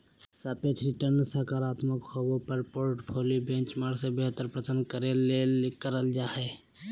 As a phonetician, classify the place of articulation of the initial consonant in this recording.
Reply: alveolar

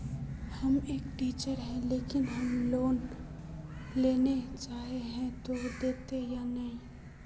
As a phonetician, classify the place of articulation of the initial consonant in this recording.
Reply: glottal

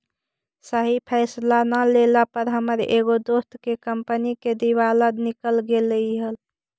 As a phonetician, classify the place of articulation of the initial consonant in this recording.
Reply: alveolar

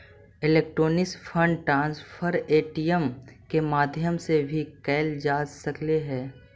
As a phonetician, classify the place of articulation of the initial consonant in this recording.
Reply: alveolar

